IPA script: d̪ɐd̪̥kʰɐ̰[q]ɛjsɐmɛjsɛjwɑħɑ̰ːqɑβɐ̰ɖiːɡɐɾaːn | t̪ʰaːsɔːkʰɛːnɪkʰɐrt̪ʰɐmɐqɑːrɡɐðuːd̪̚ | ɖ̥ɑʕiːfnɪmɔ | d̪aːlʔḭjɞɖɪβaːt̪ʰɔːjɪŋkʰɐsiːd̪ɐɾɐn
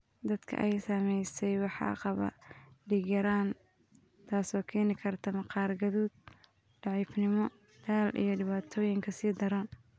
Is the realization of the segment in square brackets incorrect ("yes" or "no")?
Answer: yes